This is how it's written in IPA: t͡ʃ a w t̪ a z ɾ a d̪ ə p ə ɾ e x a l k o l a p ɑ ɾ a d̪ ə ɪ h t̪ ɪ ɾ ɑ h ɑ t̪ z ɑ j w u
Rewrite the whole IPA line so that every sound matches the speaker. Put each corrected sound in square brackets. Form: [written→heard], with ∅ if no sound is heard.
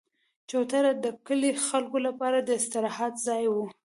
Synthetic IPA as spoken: t͡ʃ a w t̪ a [z→∅] ɾ a d̪ ə [p→k] ə [ɾ→l] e x a l k o l a p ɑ ɾ a d̪ ə ɪ [h→s] t̪ ɪ ɾ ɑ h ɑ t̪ z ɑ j w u

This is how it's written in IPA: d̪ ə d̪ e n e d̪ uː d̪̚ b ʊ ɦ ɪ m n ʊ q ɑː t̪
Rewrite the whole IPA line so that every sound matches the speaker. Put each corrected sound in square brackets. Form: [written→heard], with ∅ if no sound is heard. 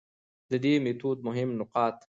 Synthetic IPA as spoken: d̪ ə d̪ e [n→m] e [d̪→t̪] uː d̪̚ [b→m] ʊ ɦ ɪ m n ʊ q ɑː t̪

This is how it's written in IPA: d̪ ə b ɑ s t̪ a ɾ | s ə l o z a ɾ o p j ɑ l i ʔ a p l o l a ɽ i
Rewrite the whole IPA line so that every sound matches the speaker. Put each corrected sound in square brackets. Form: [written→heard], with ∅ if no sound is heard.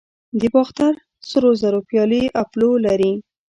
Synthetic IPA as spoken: d̪ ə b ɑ [s→x] t̪ a ɾ | s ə [l→ɾ] o z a ɾ o p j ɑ l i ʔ a p l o l a [ɽ→ɾ] i

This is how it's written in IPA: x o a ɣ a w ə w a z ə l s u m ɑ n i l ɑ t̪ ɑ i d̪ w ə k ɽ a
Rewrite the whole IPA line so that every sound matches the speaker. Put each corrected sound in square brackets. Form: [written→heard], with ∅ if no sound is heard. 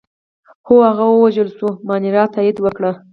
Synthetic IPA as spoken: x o a ɣ a w ə w a [z→ʒ] ə l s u m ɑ n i [l→ɾ] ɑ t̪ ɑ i d̪ w ə k ɽ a

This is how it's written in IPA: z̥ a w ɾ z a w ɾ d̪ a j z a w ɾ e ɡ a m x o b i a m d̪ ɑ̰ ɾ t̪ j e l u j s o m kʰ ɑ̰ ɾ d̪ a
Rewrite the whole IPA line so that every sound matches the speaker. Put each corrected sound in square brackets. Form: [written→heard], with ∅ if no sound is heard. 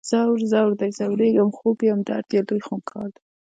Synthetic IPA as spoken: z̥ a w ɾ z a w ɾ d̪ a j z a w ɾ e ɡ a m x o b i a m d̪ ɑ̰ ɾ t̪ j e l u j [s→x] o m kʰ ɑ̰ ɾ d̪ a

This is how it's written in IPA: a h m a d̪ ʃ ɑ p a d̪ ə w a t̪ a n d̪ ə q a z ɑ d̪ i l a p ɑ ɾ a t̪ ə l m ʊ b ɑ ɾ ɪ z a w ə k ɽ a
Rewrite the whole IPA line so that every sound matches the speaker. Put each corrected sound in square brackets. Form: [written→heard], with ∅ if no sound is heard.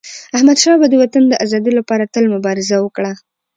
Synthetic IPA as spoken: a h m a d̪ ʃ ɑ [p→b] a d̪ ə w a t̪ a n d̪ ə [q→ʔ] a z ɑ d̪ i l a p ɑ ɾ a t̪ ə l m ʊ b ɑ ɾ ɪ z a w ə k ɽ a

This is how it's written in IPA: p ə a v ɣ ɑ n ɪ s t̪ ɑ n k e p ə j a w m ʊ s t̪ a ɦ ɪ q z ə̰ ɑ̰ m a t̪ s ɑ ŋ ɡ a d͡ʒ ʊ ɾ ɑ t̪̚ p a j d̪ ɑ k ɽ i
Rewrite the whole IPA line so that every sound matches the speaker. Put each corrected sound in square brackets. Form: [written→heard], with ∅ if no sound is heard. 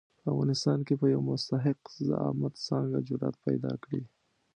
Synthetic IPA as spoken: p ə a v ɣ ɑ n ɪ s t̪ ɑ n k e p ə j a w m ʊ s t̪ a ɦ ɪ q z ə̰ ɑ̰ m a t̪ s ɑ ŋ ɡ a d͡ʒ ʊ ɾ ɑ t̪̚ p a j d̪ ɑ k ɽ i

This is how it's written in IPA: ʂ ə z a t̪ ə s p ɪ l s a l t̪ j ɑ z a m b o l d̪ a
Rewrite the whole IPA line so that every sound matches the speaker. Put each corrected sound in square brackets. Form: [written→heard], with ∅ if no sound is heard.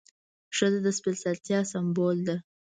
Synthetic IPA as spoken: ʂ ə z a [t̪→d̪] ə s p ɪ l s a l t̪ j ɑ [z→s] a m b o l d̪ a

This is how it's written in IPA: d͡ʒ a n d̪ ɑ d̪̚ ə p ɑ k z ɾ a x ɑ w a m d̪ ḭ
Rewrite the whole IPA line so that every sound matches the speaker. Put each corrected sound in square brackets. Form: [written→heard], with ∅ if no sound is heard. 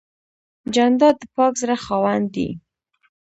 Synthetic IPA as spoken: d͡ʒ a n d̪ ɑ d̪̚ ə p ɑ k z ɾ a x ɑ w a [m→n] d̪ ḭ

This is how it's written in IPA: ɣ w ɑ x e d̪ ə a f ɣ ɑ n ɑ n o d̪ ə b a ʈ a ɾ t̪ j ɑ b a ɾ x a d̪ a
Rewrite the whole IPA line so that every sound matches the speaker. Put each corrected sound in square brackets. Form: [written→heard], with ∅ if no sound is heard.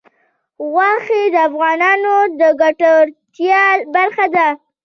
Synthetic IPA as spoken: ɣ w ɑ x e d̪ ə a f ɣ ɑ n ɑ n o d̪ ə [b→ɡ] a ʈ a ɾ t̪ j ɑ b a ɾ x a d̪ a

